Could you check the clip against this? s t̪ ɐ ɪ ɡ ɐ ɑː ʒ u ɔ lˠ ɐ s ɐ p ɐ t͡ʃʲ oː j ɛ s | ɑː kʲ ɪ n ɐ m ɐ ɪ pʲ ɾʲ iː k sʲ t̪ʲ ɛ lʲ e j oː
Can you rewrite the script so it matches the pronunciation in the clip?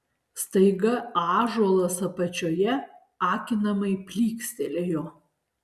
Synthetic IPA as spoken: s t̪ ɐ ɪ ɡ ɐ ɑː ʒ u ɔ lˠ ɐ s ɐ p ɐ t͡ʃʲ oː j ɛ | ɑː kʲ ɪ n ɐ m ɐ ɪ pʲ lʲ iː k sʲ t̪ʲ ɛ lʲ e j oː